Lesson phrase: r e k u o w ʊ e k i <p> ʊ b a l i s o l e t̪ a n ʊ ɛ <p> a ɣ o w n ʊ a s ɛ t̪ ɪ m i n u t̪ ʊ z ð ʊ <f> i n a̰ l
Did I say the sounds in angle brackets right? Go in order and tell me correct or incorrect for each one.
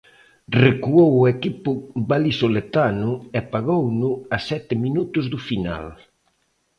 correct, correct, correct

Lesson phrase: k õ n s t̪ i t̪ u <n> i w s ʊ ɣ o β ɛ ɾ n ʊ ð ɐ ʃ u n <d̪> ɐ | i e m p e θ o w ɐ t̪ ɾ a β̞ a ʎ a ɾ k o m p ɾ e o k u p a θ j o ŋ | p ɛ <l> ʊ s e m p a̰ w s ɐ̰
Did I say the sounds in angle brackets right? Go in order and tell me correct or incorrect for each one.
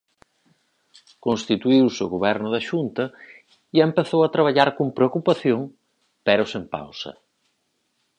incorrect, incorrect, incorrect

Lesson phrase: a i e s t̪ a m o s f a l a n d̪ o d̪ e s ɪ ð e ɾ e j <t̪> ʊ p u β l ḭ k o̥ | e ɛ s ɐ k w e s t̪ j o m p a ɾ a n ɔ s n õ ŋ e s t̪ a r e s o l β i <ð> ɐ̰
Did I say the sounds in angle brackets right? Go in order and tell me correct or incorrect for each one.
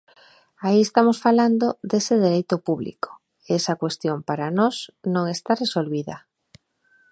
correct, correct

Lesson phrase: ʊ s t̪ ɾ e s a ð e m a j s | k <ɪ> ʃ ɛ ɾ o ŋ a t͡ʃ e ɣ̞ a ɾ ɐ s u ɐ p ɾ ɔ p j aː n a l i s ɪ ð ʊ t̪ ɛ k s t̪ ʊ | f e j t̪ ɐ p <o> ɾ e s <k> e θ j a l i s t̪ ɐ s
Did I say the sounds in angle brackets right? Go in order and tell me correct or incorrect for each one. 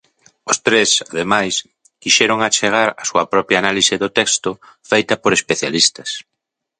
incorrect, correct, incorrect

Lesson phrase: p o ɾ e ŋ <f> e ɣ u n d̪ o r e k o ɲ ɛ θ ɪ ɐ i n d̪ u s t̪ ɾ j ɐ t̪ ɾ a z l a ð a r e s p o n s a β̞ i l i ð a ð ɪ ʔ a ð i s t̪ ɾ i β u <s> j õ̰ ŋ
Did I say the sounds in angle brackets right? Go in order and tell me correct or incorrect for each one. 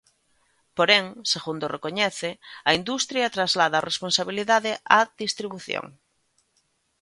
incorrect, incorrect

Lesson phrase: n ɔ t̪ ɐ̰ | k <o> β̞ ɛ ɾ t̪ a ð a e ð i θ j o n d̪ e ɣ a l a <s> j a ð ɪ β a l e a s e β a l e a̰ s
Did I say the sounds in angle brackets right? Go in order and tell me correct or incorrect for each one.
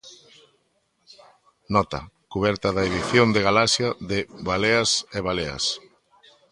incorrect, correct

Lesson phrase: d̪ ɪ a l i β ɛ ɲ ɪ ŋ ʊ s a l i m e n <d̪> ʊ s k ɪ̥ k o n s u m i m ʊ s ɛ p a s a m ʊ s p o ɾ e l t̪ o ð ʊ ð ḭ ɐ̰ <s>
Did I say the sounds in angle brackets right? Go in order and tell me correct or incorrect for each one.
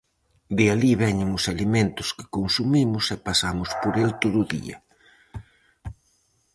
incorrect, incorrect

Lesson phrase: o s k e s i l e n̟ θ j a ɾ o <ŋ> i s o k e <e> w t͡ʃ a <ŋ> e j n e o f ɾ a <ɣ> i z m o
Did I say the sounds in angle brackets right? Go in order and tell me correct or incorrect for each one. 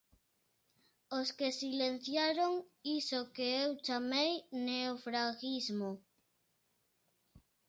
correct, correct, incorrect, correct

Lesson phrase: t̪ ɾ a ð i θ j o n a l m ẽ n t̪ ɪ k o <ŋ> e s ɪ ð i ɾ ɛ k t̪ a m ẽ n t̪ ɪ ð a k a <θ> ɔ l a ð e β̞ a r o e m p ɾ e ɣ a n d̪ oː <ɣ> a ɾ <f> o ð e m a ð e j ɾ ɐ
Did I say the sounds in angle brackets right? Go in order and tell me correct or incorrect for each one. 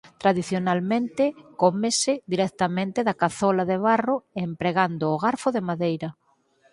incorrect, correct, correct, correct

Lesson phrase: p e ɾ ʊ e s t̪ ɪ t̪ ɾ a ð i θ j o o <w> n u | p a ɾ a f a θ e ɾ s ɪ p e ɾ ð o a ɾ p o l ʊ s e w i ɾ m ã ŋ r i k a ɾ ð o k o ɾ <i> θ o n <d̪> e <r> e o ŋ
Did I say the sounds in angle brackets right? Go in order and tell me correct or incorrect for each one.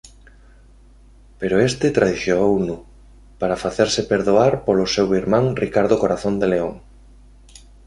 correct, incorrect, correct, incorrect

